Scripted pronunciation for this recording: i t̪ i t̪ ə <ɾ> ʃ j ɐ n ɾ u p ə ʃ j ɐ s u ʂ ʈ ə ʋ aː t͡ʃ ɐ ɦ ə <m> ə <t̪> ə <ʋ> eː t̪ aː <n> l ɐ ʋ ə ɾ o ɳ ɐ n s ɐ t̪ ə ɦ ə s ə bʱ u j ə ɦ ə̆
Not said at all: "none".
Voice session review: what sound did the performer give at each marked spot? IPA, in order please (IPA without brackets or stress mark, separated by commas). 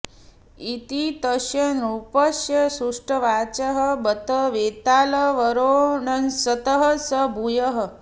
none, b, t̪, ʋ, none